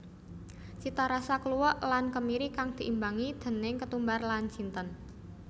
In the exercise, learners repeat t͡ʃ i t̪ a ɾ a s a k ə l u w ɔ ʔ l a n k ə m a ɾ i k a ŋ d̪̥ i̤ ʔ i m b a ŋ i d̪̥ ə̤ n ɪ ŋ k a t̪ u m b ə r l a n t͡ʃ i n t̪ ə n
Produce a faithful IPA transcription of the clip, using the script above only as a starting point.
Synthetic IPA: t͡ʃ i t̪ a ɾ a s a k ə l u w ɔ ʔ l a n k ə m i ɾ i k a ŋ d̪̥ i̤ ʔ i m b a ŋ i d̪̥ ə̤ n ɪ ŋ k ə t̪ u m b a r l a n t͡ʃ i n t̪ ə n